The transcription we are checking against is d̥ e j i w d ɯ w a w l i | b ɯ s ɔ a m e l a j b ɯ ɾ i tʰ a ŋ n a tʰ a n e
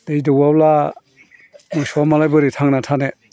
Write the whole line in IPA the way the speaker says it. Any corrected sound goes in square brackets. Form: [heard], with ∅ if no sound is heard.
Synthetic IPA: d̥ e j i [∅] d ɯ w a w l [a] | [m] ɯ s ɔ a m [a] l a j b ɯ ɾ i tʰ a ŋ n a tʰ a n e